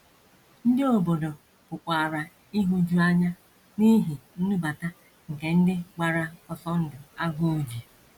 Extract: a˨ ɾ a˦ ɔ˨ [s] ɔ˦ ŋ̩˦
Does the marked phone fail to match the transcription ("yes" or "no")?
no